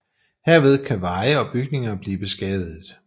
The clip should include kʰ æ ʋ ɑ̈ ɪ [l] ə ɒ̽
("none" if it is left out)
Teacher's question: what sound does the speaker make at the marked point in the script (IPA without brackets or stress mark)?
none